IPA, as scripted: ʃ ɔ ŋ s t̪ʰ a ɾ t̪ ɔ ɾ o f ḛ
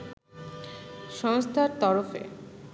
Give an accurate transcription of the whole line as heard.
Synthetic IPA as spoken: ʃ ɔ ŋ s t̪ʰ a ɾ t̪ ɔ ɾ o f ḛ

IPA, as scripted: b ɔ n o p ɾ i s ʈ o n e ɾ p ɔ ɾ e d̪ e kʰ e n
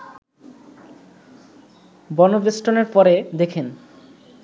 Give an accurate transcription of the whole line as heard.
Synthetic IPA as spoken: b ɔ n o b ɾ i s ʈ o n e ɾ p ɔ ɾ e d̪ e kʰ e n

